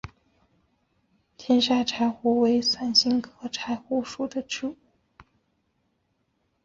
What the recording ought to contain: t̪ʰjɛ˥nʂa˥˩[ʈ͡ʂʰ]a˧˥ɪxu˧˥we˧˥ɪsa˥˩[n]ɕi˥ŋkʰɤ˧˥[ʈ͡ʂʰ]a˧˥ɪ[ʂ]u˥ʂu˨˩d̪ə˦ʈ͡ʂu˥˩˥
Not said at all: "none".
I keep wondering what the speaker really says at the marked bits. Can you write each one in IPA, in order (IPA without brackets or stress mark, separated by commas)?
ʈ͡ʂʰ, n, ʈ͡ʂʰ, x